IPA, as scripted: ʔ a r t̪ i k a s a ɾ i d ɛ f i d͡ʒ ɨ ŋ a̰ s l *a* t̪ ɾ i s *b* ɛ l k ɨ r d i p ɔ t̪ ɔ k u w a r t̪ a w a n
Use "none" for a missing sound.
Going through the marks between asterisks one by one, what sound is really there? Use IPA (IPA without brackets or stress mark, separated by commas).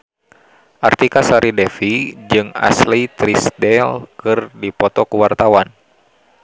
i, d